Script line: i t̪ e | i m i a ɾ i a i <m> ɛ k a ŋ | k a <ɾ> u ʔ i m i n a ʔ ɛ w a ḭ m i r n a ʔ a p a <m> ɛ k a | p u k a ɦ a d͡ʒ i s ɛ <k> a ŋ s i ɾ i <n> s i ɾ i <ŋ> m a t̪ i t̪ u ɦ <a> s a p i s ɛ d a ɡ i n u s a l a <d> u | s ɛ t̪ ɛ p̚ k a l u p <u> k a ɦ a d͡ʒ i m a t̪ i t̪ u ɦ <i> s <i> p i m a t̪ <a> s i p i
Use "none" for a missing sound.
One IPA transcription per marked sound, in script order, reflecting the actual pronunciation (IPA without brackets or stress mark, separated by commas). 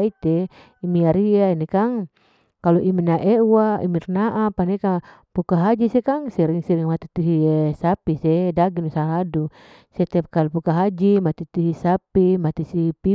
n, l, n, k, ŋ, ŋ, i, d, u, i, a, i